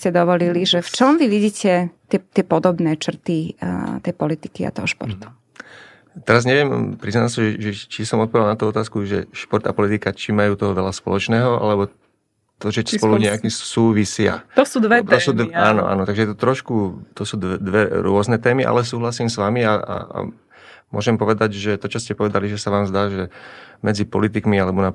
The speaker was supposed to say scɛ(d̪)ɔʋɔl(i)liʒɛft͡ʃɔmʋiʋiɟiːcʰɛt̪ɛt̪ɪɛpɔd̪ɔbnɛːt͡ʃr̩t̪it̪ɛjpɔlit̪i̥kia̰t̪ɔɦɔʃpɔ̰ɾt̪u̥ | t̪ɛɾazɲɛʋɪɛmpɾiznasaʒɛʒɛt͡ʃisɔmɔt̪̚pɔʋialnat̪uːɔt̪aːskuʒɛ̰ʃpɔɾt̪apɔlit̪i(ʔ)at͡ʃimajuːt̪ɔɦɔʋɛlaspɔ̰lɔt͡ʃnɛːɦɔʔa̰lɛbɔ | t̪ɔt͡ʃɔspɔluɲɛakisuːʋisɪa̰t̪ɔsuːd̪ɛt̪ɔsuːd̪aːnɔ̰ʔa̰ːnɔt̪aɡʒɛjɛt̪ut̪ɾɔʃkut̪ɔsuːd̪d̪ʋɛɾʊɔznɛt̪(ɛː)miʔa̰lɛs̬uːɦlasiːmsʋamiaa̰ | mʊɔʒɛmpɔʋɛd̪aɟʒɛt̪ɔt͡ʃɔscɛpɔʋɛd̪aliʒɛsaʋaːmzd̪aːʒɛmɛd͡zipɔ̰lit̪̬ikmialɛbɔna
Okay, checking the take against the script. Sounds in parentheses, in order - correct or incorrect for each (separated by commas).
correct, correct, incorrect, correct